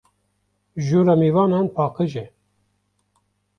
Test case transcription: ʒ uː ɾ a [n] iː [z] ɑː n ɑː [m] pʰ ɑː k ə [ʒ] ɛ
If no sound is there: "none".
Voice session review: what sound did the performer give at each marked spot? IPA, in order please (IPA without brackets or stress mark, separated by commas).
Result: m, v, n, ʒ